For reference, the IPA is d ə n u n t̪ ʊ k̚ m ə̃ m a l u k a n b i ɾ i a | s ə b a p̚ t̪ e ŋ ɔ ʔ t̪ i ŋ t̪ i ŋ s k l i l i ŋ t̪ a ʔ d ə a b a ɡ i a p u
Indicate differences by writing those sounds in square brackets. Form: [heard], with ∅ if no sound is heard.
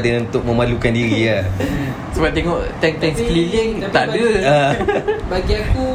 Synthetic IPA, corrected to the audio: d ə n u n t̪ ʊ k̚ m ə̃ m a l u k a n [d] i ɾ i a | s ə b a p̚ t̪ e ŋ ɔ ʔ t̪ [ɛ] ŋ t̪ [ɛ] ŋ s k l i l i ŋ t̪ a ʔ d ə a b a ɡ i a [k] u